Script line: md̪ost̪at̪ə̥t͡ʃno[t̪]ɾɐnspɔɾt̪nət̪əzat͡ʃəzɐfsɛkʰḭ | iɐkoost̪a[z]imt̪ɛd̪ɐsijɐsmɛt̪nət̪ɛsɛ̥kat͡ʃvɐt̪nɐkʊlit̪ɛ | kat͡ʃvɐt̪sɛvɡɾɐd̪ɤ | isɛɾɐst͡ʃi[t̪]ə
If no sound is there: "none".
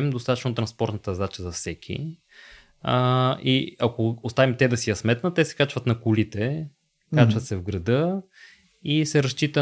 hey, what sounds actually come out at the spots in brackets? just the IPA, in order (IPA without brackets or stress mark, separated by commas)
t̪, v, t̪